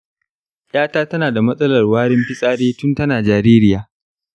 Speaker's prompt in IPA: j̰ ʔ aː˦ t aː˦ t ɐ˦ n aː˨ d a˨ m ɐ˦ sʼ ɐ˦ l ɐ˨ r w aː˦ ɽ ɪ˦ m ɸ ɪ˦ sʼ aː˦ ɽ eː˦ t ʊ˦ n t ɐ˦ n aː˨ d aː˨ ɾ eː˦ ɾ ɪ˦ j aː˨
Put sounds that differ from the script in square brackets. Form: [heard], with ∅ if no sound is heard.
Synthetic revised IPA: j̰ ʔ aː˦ t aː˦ t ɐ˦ n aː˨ d a˨ m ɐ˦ sʼ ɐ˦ l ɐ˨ r w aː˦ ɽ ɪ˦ m ɸ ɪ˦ sʼ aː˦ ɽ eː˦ t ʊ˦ n t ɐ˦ n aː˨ [d͡ʒ] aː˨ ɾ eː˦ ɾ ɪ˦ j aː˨